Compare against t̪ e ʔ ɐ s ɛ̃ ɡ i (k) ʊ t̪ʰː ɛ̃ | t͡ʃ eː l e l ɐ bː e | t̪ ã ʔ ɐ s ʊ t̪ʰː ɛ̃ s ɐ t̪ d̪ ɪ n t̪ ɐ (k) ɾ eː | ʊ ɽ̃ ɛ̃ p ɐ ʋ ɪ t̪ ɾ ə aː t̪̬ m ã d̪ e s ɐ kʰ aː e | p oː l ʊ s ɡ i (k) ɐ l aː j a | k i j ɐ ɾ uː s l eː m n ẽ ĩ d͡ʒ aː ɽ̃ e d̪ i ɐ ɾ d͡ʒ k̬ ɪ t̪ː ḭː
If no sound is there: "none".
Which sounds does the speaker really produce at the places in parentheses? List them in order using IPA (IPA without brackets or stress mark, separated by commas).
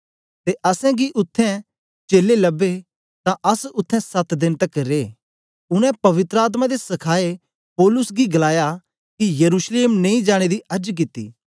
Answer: ʔ, k, ɡ